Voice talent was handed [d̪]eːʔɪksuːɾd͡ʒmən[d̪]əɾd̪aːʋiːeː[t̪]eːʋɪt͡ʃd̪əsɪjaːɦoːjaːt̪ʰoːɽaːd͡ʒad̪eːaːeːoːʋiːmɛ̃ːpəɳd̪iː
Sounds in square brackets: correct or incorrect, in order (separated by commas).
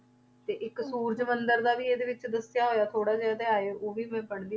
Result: incorrect, correct, incorrect